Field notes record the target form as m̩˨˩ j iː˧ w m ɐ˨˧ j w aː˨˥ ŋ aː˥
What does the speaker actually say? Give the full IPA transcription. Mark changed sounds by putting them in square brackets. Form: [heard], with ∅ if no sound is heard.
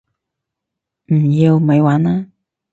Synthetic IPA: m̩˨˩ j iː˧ w m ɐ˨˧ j w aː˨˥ [n] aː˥